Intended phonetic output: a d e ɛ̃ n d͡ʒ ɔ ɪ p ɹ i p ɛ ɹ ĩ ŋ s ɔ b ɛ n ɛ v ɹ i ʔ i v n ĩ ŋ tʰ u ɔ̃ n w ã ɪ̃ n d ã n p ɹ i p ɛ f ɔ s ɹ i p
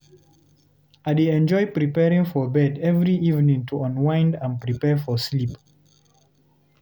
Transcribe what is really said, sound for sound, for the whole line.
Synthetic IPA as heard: a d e ɛ̃ n d͡ʒ ɔ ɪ p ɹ i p ɛ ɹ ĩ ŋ f ɔ b ɛ d ɛ v ɹ i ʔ i v n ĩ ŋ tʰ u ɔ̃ n w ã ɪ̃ n d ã n p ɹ i p ɛ f ɔ s l i p